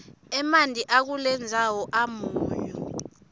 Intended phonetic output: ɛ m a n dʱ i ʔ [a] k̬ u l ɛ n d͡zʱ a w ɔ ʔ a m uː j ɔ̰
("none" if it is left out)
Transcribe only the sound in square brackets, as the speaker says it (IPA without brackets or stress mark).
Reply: a